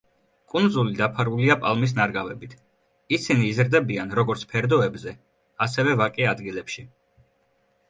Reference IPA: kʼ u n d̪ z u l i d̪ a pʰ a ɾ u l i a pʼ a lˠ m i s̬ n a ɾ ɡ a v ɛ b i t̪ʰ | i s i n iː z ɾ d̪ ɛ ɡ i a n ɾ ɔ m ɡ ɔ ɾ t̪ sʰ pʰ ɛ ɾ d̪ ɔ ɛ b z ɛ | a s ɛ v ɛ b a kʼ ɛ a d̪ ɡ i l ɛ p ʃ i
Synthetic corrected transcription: kʼ u n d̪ z u l i d̪ a pʰ a ɾ u l i a pʼ a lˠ m i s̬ n a ɾ ɡ a v ɛ b i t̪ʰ | i s i n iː z ɾ d̪ ɛ b i a n ɾ ɔ ɡ ɔ ɾ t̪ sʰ pʰ ɛ ɾ d̪ ɔ ɛ b z ɛ | a s ɛ v ɛ v a kʼ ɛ a d̪ ɡ i l ɛ p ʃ i